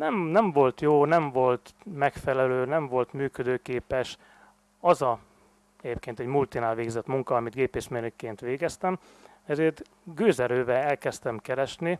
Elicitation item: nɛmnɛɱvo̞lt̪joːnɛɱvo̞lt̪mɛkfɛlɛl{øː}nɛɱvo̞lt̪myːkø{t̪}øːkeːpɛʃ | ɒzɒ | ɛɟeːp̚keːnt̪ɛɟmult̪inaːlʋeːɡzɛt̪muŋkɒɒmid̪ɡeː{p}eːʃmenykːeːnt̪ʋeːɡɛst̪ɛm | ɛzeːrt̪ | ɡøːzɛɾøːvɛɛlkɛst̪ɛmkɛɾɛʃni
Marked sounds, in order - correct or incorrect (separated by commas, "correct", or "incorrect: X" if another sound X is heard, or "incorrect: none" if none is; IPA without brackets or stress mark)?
correct, incorrect: d̪, correct